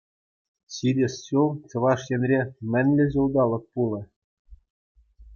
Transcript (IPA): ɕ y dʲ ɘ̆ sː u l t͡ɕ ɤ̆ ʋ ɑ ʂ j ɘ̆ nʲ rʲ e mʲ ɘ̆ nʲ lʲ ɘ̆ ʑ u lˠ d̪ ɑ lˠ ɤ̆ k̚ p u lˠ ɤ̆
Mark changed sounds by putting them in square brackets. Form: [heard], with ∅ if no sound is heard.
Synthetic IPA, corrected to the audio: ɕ [i] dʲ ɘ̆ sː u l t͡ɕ ɤ̆ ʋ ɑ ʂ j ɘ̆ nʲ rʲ e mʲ ɘ̆ nʲ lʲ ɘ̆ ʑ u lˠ d̪ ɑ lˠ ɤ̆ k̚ p u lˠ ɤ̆